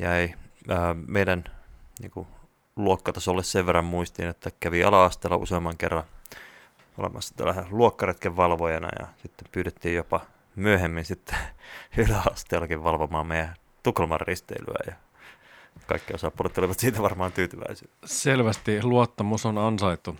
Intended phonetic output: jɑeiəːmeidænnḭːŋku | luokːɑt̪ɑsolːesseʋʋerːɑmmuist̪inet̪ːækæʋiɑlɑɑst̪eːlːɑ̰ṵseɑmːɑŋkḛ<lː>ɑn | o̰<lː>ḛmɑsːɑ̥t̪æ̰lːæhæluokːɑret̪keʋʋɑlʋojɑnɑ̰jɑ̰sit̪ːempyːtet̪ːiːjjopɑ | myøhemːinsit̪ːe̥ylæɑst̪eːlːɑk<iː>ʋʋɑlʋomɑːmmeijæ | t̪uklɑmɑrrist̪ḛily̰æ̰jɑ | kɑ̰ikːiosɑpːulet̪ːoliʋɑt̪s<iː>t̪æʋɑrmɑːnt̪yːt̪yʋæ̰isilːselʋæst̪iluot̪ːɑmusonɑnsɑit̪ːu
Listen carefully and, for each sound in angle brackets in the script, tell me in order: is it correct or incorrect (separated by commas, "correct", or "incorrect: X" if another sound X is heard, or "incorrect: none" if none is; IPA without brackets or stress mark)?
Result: incorrect: rː, incorrect: l, incorrect: i, correct